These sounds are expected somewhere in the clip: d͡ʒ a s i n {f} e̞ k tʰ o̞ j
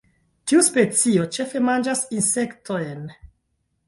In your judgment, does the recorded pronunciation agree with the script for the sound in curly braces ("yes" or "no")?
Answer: no